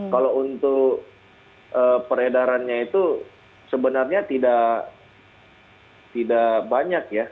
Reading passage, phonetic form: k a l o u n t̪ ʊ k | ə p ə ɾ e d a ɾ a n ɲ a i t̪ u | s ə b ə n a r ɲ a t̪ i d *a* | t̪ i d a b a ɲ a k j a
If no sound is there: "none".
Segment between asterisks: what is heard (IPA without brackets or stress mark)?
a